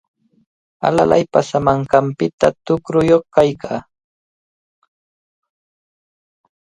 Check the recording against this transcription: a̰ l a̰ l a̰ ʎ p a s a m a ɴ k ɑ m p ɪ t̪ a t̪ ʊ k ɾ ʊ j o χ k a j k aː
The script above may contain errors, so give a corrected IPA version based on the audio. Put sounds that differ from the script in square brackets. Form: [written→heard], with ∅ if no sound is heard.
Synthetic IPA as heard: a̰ l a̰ l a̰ [ʎ→j] p a s a m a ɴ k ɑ m p ɪ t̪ a t̪ ʊ k ɾ ʊ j o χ k a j k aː